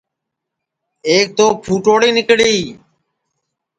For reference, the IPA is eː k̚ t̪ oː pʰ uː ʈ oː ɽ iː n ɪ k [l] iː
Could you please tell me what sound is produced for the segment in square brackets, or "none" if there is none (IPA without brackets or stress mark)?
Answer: ɽ